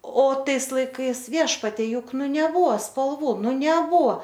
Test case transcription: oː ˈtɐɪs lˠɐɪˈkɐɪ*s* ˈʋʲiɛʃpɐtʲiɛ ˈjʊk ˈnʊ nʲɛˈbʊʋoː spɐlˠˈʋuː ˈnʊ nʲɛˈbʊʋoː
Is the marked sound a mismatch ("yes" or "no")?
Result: no